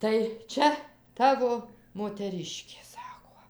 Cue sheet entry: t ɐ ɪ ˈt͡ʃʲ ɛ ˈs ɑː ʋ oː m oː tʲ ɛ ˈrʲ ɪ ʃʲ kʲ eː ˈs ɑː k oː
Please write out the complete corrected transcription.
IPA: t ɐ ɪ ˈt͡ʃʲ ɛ ˈt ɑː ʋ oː m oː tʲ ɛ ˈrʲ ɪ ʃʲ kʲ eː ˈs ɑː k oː